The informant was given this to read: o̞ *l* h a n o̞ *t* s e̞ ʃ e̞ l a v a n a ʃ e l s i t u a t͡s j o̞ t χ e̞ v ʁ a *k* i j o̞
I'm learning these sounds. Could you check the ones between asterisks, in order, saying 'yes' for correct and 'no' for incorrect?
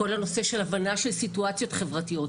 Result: yes, no, no

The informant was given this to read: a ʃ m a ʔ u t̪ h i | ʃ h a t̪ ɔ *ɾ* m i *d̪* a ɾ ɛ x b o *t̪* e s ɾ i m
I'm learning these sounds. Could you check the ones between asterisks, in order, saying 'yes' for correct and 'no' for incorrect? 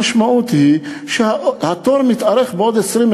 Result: yes, no, no

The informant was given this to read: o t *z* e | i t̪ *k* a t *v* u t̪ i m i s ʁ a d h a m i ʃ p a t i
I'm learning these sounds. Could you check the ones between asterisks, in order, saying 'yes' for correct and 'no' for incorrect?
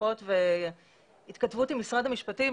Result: no, yes, yes

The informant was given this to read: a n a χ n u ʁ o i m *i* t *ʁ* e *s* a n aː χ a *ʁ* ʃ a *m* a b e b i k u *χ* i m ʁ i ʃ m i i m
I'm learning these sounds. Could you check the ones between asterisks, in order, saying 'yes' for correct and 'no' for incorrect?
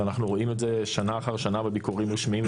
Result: no, no, no, yes, no, no

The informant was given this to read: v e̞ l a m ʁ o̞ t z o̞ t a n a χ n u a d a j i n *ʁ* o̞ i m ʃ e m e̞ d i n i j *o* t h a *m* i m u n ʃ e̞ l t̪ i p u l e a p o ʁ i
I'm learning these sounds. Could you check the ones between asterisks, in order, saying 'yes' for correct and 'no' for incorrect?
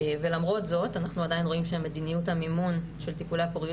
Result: yes, no, yes

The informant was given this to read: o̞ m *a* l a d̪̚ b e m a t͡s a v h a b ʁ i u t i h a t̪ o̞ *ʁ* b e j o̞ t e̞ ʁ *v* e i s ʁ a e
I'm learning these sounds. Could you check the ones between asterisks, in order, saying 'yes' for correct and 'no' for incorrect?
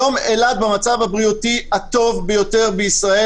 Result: no, no, no

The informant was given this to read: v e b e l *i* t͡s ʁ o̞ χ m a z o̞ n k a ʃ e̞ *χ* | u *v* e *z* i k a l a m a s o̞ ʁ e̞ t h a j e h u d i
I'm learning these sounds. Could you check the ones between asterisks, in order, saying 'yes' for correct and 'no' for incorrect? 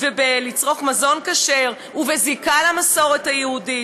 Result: yes, no, yes, yes

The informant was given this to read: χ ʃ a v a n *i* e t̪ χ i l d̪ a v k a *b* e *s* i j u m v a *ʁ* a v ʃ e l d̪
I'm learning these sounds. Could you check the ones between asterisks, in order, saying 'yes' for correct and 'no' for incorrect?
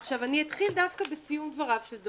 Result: yes, yes, yes, yes

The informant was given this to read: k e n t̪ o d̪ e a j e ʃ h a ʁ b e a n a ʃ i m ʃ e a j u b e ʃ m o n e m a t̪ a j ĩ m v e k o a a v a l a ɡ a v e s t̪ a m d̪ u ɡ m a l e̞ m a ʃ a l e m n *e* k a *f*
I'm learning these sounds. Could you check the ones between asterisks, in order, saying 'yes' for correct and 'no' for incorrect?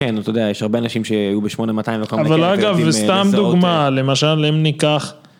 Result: no, no

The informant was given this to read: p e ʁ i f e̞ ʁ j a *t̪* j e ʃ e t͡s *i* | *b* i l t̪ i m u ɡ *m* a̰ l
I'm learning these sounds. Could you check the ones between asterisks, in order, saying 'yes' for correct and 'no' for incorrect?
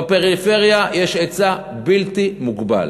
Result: no, no, yes, no

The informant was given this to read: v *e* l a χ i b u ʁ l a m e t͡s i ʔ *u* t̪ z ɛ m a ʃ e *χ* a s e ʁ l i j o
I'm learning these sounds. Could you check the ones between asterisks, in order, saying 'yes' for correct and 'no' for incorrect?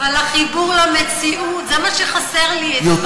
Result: no, yes, yes

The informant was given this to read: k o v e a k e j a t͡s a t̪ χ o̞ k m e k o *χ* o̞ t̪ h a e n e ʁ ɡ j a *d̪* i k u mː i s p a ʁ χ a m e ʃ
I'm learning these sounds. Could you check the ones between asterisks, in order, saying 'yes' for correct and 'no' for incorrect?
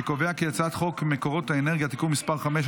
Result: no, no

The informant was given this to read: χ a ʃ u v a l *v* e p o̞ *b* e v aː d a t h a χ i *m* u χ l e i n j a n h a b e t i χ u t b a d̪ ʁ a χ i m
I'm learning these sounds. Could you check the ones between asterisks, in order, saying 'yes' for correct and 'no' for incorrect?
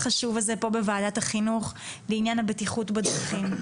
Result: no, yes, no

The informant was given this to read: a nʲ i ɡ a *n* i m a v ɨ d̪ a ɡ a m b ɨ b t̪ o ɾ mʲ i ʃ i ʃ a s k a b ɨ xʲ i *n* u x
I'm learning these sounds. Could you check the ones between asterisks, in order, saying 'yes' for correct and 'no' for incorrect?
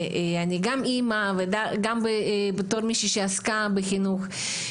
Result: no, yes

